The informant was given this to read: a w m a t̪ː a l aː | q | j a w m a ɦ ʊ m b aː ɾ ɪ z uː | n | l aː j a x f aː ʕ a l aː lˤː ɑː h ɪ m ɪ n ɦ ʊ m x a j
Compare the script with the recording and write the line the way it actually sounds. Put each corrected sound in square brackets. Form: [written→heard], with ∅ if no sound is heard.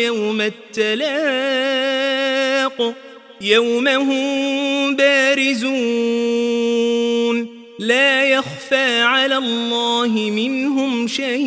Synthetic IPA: a w m a t̪ː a l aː | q | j a w m a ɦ ʊ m b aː ɾ ɪ z uː | n | l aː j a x f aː ʕ a l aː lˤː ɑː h ɪ m ɪ n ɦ ʊ m [x→ʃ] a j